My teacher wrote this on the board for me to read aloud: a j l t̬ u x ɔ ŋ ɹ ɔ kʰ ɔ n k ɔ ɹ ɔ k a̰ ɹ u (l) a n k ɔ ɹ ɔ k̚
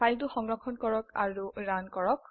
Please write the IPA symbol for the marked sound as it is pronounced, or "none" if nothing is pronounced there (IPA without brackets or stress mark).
ɹ